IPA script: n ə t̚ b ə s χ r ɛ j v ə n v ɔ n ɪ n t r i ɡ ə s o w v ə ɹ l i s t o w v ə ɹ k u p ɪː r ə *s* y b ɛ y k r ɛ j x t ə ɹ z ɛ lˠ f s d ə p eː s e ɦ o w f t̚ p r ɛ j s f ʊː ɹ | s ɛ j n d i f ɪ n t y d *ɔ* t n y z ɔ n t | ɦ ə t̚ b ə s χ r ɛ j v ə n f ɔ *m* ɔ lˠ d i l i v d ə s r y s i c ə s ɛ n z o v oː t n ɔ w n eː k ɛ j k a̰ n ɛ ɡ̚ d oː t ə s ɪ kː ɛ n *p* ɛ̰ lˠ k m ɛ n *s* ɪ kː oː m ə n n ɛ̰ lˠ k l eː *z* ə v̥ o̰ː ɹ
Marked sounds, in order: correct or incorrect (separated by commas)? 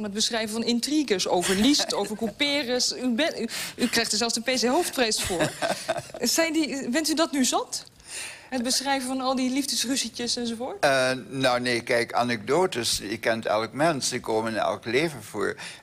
correct, correct, incorrect, incorrect, correct, incorrect